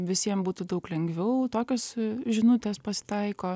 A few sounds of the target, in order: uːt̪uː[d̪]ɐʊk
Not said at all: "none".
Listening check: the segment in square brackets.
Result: d̪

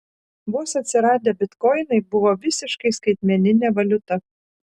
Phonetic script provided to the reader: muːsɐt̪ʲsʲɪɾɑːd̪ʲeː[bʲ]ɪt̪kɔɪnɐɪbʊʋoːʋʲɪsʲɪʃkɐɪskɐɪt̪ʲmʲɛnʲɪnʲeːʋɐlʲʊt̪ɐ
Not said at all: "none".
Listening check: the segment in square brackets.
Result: bʲ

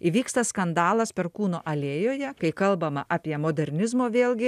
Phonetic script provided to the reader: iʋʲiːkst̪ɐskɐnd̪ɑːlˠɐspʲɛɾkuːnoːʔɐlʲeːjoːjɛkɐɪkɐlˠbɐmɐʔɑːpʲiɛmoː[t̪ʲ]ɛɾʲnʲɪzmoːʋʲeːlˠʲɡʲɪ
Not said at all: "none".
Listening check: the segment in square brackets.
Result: d̪ʲ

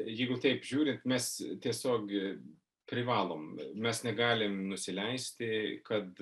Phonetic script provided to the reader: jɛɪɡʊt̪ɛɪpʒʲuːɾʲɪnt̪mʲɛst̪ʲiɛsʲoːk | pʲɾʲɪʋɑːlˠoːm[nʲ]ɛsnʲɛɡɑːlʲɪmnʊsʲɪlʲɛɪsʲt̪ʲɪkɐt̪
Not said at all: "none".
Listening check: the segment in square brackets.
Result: mʲ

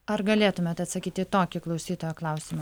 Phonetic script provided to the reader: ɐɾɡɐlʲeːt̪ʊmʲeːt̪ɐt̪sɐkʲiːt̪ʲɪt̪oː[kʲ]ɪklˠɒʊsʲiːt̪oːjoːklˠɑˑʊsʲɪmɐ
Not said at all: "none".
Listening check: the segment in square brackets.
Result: kʲ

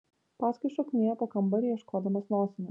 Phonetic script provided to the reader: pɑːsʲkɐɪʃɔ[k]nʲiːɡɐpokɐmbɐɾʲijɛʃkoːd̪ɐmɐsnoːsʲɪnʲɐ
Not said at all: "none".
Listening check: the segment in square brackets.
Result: k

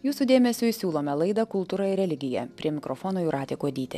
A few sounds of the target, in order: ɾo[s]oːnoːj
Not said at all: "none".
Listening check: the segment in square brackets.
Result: f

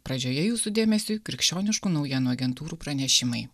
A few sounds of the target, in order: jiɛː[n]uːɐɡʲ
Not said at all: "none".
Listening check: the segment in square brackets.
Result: n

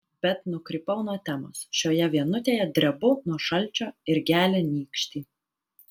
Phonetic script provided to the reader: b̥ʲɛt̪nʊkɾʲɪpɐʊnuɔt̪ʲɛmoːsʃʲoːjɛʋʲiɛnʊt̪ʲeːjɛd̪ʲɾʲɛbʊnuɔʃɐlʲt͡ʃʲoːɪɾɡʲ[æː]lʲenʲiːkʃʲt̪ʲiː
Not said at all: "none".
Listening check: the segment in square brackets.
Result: æː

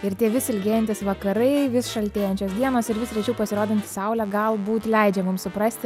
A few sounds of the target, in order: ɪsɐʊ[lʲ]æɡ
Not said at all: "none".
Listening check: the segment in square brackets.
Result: lʲ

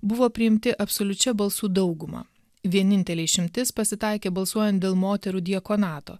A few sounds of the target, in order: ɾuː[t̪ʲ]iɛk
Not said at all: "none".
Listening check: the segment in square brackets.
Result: d̪ʲ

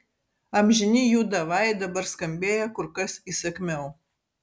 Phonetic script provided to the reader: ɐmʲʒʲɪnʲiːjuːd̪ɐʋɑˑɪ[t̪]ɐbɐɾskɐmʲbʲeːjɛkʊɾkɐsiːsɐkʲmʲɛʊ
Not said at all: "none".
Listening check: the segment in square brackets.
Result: d̪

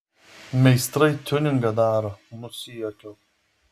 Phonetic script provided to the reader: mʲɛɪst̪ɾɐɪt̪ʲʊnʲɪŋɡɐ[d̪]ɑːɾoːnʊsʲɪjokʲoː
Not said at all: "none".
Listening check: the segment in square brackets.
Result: d̪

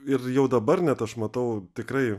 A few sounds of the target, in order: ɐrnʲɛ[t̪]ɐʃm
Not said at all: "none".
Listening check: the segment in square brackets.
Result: t̪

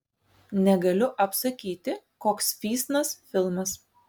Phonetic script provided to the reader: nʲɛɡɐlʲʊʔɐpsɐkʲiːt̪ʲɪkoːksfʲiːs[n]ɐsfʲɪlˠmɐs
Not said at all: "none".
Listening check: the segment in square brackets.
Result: n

